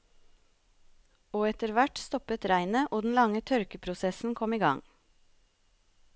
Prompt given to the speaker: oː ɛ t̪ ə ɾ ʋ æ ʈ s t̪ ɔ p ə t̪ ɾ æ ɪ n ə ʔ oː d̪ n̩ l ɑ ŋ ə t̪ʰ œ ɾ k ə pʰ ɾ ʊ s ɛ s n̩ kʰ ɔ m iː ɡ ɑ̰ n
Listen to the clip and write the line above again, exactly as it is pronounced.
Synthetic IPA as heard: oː ɛ t̪ ə ɾ ʋ æ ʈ s t̪ ɔ p ə t̪ ɾ æ ɪ n ə ʔ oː d̪ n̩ l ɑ ŋ ə t̪ʰ œ ɾ k ə pʰ ɾ ʊ s ɛ s n̩ kʰ ɔ m iː ɡ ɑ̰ ŋ